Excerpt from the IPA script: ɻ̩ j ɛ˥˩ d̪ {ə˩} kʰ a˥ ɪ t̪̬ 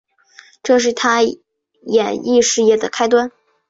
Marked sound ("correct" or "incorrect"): correct